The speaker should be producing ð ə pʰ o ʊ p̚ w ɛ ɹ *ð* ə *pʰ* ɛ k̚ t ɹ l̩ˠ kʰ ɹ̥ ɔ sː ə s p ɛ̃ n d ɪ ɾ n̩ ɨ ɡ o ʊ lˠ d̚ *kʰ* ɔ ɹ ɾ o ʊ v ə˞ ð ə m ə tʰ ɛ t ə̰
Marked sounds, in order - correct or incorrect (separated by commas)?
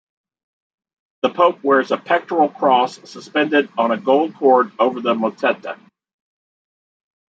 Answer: incorrect, correct, correct